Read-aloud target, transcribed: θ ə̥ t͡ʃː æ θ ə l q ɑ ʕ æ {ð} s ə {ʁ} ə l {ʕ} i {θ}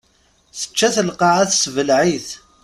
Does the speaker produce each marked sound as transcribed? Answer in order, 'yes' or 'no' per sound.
no, no, yes, yes

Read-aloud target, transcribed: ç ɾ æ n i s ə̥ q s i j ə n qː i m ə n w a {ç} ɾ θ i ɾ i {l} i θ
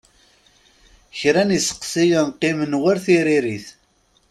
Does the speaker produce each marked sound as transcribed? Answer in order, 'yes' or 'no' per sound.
no, no

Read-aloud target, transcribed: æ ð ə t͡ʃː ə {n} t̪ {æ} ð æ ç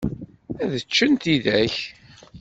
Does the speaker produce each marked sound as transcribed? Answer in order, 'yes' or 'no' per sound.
yes, no

